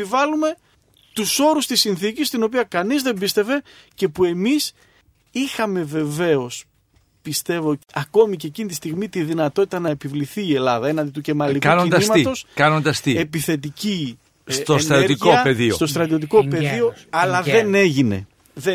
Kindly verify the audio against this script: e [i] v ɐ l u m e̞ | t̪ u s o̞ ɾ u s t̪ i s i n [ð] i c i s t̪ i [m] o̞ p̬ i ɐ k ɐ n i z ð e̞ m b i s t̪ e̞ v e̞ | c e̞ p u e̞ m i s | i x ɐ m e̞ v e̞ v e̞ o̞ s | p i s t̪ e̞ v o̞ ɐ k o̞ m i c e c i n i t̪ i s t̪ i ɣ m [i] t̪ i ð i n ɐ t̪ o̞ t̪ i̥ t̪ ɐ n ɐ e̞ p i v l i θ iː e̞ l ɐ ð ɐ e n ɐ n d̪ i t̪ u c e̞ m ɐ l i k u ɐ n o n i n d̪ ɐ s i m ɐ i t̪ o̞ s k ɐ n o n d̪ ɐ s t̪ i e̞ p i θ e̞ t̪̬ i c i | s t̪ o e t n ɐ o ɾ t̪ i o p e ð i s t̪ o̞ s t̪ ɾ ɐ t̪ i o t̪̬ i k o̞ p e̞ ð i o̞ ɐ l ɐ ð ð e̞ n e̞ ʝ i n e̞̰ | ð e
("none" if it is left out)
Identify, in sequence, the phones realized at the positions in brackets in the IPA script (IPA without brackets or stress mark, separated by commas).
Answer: i, θ, n, i